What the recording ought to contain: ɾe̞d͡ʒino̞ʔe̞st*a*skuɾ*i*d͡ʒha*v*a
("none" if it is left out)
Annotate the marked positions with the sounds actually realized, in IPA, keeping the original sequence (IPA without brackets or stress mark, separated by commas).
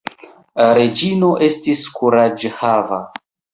i, a, v